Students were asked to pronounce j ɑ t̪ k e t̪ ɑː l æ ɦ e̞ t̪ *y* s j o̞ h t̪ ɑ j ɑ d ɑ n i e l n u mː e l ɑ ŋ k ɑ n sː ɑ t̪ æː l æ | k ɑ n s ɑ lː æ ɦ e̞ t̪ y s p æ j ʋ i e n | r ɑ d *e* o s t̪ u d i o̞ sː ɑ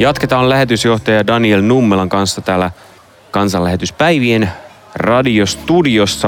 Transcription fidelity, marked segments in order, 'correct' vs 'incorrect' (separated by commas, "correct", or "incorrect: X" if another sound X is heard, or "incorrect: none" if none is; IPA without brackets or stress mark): correct, incorrect: i